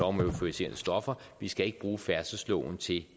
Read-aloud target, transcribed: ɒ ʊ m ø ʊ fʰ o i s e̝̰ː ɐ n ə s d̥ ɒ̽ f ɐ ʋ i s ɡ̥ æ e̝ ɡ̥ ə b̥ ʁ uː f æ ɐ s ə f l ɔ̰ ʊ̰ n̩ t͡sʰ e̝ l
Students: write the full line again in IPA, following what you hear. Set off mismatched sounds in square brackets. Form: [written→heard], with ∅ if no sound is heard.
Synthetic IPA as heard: ɒ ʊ m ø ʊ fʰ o i s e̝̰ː ɐ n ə s d̥ ɒ̽ f ɐ ʋ i s ɡ̥ æ e̝ ɡ̥ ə b̥ ʁ uː f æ ɐ s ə [f→s] l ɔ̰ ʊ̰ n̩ t͡sʰ e̝ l